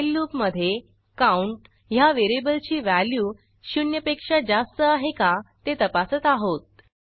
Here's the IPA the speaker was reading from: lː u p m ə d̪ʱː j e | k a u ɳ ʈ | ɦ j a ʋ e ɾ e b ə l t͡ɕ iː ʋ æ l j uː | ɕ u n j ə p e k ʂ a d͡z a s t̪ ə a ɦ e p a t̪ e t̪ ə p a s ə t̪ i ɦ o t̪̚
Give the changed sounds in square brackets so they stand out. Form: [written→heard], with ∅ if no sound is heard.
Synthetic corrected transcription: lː u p m ə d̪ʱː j e | k a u ɳ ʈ | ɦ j a ʋ e ɾ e b ə l t͡ɕ iː ʋ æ l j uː | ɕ u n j ə p e k ʂ a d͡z a s t̪ ə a ɦ e [p→k] a t̪ e t̪ ə p a s ə t̪ [i→a] ɦ o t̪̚